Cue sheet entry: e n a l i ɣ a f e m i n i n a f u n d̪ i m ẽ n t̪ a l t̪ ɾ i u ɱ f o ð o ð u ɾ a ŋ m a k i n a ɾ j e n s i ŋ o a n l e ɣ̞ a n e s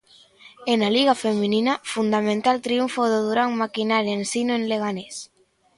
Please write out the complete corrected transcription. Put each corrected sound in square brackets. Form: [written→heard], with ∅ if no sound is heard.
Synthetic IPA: e n a l i ɣ a f e m i n i n a f u n d̪ [i→a] m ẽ n t̪ a l t̪ ɾ i u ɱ f o ð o ð u ɾ a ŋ m a k i n a ɾ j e n s i [ŋ→n] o [a→e] n l e ɣ̞ a n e s